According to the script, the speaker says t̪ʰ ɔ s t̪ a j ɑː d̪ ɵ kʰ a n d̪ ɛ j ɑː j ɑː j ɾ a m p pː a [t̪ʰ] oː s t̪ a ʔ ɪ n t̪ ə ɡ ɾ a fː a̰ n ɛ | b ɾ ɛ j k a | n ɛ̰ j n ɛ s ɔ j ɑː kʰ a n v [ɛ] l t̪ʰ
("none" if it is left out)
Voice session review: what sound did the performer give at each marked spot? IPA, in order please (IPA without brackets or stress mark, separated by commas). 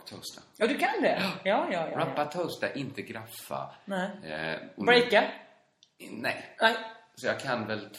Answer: t̪ʰ, ɛ